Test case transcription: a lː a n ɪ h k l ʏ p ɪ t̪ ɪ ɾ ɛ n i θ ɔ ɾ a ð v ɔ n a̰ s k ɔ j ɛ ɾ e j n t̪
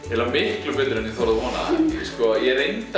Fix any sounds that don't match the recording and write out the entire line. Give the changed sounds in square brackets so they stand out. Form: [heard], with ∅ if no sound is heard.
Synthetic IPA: [ɛ] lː a [m] ɪ h k l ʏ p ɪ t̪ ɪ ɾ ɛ n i θ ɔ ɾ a ð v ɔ n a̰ s k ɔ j ɛ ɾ e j n t̪